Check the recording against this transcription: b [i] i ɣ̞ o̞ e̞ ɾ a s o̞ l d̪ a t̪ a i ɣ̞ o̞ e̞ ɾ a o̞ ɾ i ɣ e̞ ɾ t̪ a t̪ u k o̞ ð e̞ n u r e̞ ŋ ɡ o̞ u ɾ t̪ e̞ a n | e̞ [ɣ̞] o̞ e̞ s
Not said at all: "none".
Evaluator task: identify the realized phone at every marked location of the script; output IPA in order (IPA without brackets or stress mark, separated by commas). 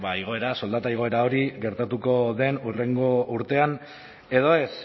a, ð̞